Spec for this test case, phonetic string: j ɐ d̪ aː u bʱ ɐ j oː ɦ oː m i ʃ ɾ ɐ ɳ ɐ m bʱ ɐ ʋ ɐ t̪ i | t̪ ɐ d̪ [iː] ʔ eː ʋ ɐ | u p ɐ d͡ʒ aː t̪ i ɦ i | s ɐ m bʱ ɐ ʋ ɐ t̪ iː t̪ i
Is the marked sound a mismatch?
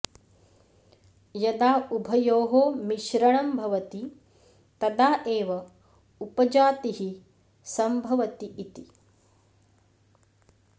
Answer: yes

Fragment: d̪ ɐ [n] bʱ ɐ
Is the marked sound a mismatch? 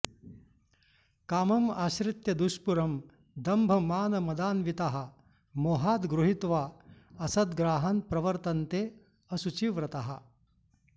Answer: yes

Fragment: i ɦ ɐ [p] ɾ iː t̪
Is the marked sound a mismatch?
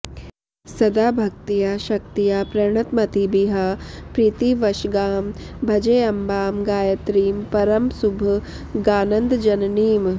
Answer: no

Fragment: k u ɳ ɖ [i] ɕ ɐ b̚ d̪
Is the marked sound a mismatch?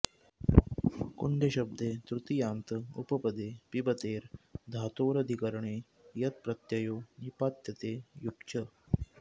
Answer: yes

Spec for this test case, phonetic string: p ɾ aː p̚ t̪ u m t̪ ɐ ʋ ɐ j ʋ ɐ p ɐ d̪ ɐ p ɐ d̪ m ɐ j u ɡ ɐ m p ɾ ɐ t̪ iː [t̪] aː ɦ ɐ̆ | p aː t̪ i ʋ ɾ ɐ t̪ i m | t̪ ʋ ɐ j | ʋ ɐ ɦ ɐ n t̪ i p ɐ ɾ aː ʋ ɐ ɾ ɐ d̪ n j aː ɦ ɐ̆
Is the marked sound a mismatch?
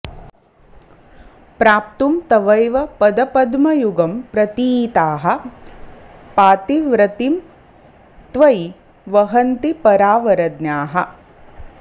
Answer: no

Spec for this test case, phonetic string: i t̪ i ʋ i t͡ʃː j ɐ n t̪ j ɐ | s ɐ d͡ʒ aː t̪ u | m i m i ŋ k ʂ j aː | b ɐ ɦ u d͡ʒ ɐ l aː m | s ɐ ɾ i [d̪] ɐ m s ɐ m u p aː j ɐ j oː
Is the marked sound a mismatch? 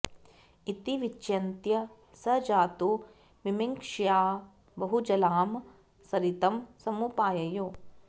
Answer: yes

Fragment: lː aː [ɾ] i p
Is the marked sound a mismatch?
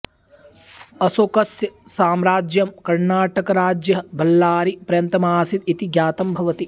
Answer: no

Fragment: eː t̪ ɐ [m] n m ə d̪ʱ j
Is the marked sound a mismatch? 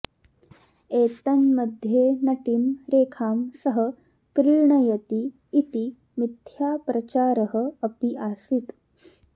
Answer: yes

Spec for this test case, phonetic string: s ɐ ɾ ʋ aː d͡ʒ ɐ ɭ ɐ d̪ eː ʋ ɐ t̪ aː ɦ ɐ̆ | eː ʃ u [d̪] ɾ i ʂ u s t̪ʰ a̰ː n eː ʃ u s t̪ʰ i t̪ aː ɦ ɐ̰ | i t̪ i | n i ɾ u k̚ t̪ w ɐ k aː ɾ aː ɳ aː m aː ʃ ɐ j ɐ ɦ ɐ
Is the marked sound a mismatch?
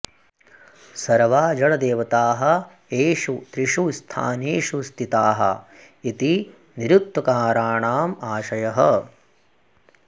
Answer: yes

